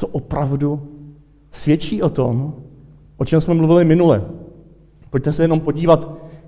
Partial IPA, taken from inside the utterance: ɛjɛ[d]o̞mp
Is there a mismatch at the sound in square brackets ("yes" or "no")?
yes